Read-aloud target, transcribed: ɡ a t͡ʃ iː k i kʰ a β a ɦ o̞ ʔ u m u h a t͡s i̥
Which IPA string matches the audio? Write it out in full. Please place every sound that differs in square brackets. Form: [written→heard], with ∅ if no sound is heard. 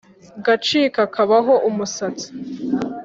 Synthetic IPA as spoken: ɡ a t͡ʃ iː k [i→a] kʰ a β a ɦ o̞ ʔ u m u [h→s] a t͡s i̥